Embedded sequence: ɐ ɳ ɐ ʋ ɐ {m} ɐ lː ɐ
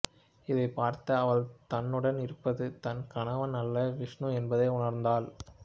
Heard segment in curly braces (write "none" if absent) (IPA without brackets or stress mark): n